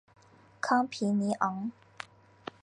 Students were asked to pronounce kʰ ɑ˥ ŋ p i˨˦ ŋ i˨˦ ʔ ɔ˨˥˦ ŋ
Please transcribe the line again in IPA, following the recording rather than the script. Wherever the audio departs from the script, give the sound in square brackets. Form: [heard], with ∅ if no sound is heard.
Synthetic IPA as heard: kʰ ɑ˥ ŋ [pʰ] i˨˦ [n] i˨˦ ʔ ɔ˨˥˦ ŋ